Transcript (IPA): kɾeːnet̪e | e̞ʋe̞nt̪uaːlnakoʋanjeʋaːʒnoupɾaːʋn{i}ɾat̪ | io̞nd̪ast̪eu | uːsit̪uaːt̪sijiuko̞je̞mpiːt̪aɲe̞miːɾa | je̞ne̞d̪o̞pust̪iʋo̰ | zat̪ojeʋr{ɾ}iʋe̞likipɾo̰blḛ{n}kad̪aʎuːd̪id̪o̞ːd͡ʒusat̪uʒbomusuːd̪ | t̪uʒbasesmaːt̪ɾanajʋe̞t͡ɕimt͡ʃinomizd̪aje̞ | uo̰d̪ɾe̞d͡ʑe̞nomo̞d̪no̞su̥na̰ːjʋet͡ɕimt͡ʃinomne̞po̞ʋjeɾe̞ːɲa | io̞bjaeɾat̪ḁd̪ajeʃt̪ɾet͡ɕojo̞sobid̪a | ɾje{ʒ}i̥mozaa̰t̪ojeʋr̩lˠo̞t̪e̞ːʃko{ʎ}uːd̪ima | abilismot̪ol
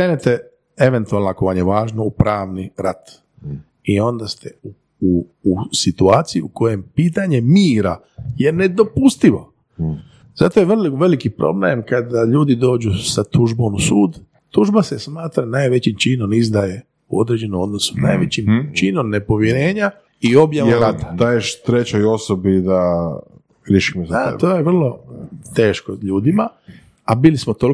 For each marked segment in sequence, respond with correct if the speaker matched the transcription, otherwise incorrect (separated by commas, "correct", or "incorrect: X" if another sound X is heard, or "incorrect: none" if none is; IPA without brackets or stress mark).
correct, incorrect: l, incorrect: m, incorrect: ʃ, correct